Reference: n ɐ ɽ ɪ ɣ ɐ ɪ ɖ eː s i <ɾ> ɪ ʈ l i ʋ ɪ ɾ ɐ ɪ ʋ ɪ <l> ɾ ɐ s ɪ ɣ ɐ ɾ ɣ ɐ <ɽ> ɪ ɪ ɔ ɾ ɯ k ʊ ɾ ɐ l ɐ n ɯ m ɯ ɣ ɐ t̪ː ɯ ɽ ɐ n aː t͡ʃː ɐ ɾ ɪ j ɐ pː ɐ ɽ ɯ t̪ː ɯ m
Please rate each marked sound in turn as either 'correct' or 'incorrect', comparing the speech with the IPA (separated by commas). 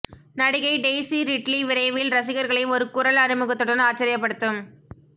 correct, correct, incorrect